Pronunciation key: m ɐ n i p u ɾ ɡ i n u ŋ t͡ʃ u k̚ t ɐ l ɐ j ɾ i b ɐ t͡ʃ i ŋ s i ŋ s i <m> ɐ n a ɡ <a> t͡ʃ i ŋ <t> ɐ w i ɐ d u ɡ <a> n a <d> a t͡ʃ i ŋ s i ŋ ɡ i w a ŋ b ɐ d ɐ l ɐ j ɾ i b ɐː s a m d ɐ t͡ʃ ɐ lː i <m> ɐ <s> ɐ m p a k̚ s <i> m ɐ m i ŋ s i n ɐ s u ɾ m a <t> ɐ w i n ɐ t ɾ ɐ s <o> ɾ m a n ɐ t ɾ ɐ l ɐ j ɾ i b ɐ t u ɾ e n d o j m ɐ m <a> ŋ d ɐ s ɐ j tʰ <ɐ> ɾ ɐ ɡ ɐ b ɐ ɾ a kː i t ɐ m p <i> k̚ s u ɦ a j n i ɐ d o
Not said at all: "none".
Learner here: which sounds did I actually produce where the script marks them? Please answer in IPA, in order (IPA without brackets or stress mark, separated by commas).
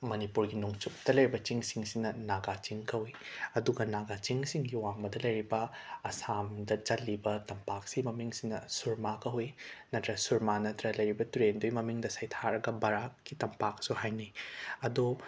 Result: n, a, k, ɐ, ɡ, b, t, i, k, u, i, a, a